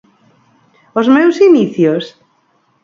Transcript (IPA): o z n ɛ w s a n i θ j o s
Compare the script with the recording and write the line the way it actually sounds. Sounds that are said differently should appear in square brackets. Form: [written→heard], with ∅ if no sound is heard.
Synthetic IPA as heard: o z [n→m] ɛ w s [a→i] n i θ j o s